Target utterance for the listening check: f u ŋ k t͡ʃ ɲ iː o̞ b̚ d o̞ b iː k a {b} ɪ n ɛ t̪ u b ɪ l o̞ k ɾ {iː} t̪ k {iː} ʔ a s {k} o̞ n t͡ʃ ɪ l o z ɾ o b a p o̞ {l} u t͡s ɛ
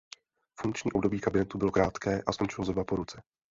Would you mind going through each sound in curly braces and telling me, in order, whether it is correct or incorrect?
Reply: correct, incorrect: aː, incorrect: ɛː, correct, incorrect: ɾ

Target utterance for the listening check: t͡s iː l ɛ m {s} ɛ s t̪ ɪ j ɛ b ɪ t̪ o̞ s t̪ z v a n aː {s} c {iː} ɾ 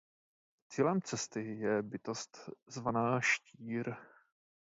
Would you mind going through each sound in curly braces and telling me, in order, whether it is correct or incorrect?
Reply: incorrect: t͡s, incorrect: ʃ, correct

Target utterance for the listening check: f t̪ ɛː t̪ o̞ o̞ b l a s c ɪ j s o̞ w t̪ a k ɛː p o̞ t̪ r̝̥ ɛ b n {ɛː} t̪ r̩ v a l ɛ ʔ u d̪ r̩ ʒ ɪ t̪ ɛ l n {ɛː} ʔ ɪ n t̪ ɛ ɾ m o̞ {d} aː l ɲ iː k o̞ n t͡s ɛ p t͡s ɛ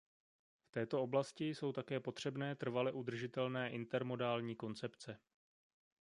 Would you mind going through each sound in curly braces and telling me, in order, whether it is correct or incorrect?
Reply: correct, correct, correct

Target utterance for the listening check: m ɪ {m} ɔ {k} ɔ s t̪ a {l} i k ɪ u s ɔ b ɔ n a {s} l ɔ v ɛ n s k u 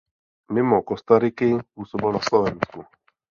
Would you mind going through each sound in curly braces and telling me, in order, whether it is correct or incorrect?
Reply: correct, correct, incorrect: ɾ, correct

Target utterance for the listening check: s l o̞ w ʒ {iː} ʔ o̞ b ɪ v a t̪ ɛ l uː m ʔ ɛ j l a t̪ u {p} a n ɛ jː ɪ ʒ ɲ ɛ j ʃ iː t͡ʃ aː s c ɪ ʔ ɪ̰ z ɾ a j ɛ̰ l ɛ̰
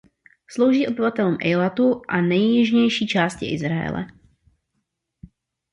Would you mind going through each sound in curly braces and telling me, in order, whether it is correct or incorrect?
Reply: correct, incorrect: ʔ

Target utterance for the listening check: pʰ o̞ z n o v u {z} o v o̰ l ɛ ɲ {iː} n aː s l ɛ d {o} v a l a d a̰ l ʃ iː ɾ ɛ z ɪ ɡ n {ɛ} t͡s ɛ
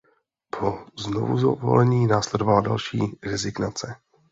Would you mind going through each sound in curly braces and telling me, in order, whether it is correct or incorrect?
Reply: correct, correct, correct, incorrect: a

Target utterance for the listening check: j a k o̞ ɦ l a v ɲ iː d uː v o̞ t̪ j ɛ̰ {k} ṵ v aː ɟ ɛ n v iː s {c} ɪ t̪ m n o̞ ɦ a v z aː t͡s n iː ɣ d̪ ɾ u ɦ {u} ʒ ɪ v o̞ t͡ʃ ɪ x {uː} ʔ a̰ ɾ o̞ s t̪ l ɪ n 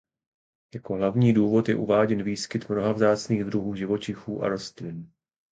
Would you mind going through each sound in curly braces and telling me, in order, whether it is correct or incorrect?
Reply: incorrect: ʔ, incorrect: k, incorrect: uː, correct

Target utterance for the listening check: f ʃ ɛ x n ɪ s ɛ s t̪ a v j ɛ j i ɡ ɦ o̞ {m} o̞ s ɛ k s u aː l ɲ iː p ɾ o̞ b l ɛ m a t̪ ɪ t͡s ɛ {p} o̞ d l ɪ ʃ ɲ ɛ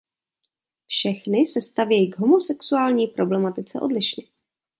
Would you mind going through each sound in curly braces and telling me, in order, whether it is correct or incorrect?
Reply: correct, incorrect: ʔ

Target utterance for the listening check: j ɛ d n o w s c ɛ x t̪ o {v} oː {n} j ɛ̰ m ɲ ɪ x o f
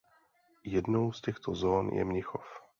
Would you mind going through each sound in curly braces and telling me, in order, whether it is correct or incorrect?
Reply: incorrect: z, correct

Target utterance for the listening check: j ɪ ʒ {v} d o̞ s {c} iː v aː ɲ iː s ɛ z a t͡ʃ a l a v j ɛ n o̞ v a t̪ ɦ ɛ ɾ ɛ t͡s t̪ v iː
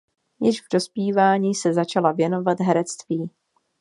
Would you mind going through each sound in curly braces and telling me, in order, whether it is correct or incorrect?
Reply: correct, incorrect: p

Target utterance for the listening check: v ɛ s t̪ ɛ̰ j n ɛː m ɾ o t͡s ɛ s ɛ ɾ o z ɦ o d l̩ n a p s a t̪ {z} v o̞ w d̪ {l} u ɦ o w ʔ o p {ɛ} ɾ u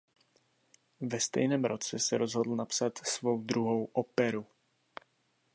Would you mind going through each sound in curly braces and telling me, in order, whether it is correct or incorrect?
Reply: incorrect: s, incorrect: ɾ, correct

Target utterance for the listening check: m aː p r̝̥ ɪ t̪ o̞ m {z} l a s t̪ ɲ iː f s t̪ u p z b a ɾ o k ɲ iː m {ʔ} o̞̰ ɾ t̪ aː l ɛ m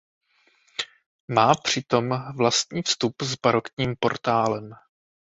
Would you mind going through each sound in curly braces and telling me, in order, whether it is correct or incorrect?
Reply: incorrect: v, incorrect: p

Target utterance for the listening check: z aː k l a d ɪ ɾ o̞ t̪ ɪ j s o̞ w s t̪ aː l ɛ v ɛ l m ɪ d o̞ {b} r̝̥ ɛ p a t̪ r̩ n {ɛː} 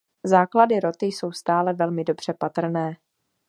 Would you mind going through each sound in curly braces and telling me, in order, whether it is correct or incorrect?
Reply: correct, correct

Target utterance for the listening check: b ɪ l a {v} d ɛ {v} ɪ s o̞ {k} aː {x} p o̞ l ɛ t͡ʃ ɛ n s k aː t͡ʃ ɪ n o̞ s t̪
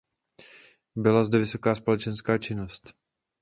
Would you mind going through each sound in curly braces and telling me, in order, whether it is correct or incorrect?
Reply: incorrect: z, correct, correct, incorrect: s

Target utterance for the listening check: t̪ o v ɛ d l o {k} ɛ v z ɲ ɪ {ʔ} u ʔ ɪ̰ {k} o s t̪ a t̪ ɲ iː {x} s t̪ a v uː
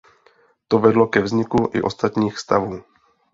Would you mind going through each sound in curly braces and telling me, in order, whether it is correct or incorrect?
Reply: correct, incorrect: k, incorrect: ʔ, correct

